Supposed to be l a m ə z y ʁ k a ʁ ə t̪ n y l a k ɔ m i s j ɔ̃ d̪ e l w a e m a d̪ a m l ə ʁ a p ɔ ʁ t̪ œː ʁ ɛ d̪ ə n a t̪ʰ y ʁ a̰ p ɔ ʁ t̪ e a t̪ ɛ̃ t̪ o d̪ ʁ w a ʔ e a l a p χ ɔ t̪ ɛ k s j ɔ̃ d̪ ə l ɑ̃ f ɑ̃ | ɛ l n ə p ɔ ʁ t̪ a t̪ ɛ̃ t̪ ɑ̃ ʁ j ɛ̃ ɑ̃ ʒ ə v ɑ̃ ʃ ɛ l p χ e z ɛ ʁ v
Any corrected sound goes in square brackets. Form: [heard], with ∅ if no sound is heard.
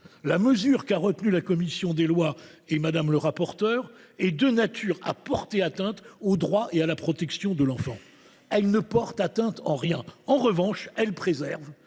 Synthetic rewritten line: l a m ə z y ʁ k a ʁ ə t̪ n y l a k ɔ m i s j ɔ̃ d̪ e l w a e m a d̪ a m l ə ʁ a p ɔ ʁ t̪ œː ʁ ɛ d̪ ə n a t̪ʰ y ʁ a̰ p ɔ ʁ t̪ e a t̪ ɛ̃ t̪ o d̪ ʁ w a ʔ e a l a p χ ɔ t̪ ɛ k s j ɔ̃ d̪ ə l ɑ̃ f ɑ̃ | ɛ l n ə p ɔ ʁ t̪ a t̪ ɛ̃ t̪ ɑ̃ ʁ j ɛ̃ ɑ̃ [ʁ] ə v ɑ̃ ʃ ɛ l p χ e z ɛ ʁ v

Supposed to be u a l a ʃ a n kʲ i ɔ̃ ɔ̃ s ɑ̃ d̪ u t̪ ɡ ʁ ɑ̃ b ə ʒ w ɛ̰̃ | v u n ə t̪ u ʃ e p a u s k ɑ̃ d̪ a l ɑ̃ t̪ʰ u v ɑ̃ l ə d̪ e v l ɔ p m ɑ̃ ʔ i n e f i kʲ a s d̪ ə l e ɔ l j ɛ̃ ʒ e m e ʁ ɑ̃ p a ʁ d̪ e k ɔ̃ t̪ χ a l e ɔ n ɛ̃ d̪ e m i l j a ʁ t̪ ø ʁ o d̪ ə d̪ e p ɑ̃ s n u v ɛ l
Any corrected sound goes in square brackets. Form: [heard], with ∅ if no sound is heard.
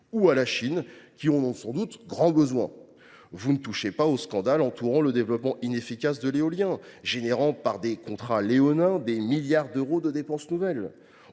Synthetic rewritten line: u a l a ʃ [i] n kʲ i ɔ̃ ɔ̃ s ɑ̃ d̪ u t̪ ɡ ʁ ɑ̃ b ə [z] w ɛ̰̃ | v u n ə t̪ u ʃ e p a [o] s k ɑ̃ d̪ a l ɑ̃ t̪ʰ u [ʁ] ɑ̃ l ə d̪ e v l ɔ p m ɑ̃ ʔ i n e f i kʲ a s d̪ ə l e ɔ l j ɛ̃ ʒ e [n] e ʁ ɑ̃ p a ʁ d̪ e k ɔ̃ t̪ χ a l e ɔ n ɛ̃ d̪ e m i l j a ʁ [d̪] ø ʁ o d̪ ə d̪ e p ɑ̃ s n u v ɛ l

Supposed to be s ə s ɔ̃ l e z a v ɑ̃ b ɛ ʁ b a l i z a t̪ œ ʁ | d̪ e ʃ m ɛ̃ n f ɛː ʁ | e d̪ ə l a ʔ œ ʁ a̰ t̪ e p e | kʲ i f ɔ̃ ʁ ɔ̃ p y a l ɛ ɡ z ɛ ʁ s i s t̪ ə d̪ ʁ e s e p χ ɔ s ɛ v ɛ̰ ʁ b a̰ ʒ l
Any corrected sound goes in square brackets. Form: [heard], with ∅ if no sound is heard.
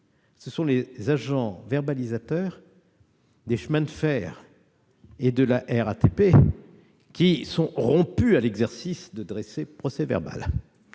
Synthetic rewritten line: s ə s ɔ̃ l e z a [ʒ] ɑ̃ [v] ɛ ʁ b a l i z a t̪ œ ʁ | d̪ e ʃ m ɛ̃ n f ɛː ʁ | e d̪ ə l a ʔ [ɛ] ʁ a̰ t̪ e p e | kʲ i [s] ɔ̃ ʁ ɔ̃ p y a l ɛ ɡ z ɛ ʁ s i s [d̪] ə d̪ ʁ e s e p χ ɔ s ɛ v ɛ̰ ʁ b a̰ [∅] l

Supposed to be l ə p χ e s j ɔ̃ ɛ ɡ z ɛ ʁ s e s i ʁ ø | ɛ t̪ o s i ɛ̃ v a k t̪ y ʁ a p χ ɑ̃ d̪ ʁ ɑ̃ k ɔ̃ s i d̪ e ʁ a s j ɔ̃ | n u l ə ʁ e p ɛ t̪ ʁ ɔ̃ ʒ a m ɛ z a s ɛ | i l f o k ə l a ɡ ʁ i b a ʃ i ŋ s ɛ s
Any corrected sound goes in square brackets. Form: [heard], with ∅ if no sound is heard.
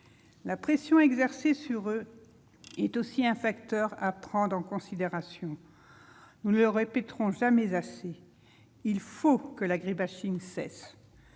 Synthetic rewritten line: l [a] p χ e s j ɔ̃ ɛ ɡ z ɛ ʁ s e s [y] ʁ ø | ɛ t̪ o s i ɛ̃ [f] a k t̪ [œ] ʁ a p χ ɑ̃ d̪ ʁ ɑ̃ k ɔ̃ s i d̪ e ʁ a s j ɔ̃ | n u l ə ʁ e p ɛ t̪ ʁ ɔ̃ ʒ a m ɛ z a s [e] | i l f o k ə l a ɡ ʁ i b a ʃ i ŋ s ɛ s

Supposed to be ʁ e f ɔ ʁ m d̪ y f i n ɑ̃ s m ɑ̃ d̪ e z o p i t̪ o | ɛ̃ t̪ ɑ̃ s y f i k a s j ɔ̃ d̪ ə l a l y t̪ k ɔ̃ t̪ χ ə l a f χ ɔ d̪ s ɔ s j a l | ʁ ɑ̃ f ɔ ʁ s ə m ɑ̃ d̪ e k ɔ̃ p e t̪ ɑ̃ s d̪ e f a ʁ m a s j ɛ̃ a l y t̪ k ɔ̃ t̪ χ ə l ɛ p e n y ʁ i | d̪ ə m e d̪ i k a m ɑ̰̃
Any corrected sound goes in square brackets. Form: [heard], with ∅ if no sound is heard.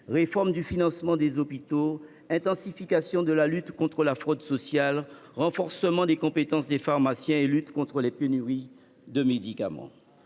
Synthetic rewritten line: ʁ e f ɔ ʁ m d̪ y f i n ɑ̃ s m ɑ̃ d̪ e z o p i t̪ o | ɛ̃ t̪ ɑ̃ s [i] f i k a s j ɔ̃ d̪ ə l a l y t̪ k ɔ̃ t̪ χ ə l a f χ ɔ d̪ s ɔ s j a l | ʁ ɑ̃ f ɔ ʁ s ə m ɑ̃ d̪ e k ɔ̃ p e t̪ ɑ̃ s d̪ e f a ʁ m a s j ɛ̃ [e] l y t̪ k ɔ̃ t̪ χ ə l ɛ p e n y ʁ i | d̪ ə m e d̪ i k a m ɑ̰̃

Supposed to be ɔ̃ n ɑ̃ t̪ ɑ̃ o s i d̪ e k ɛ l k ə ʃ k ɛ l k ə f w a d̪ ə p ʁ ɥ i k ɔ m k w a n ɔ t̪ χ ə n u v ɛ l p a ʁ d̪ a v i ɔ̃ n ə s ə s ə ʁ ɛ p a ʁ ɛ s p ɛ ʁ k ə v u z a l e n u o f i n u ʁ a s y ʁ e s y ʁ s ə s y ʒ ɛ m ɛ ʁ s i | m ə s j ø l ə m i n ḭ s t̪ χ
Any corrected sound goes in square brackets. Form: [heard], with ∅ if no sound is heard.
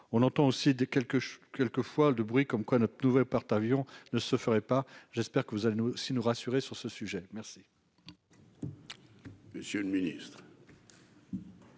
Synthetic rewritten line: ɔ̃ n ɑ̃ t̪ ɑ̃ o s i d̪ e k ɛ l k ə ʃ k ɛ l k ə f w a d̪ ə [b] ʁ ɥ i k ɔ m k w a n ɔ t̪ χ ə n u v ɛ l p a ʁ [t̪] a v [j] ɔ̃ n ə s ə [f] ə ʁ ɛ p a [ʒ] ɛ s p ɛ ʁ k ə v u z a l e n u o [s] i n u ʁ a s y ʁ e s y ʁ s ə s y ʒ ɛ m ɛ ʁ s i | m ə s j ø l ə m i n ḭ s t̪ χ

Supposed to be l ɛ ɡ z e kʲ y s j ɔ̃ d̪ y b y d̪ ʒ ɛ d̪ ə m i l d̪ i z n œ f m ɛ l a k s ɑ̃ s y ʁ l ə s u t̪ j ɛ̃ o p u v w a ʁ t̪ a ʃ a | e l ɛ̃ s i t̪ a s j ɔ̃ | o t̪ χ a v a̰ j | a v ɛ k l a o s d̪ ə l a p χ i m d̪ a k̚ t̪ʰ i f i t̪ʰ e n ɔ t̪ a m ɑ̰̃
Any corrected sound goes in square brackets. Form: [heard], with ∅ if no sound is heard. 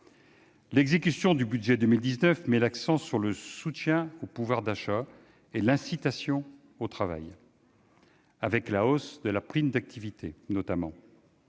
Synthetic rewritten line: l ɛ ɡ z e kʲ y s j ɔ̃ d̪ y b y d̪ ʒ ɛ d̪ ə m i l d̪ i z n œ f m ɛ l a k s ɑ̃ s y ʁ l ə s u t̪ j ɛ̃ o p u v w a ʁ [d̪] a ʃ a | e l ɛ̃ s i t̪ a s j ɔ̃ | o t̪ χ a v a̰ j | a v ɛ k l a o s d̪ ə l a p χ i m d̪ a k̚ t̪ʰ i [v] i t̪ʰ e n ɔ t̪ a m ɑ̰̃

